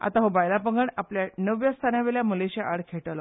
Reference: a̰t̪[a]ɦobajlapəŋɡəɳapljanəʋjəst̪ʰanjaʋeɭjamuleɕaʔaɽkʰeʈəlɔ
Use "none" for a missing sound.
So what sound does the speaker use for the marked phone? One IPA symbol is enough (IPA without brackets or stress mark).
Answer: a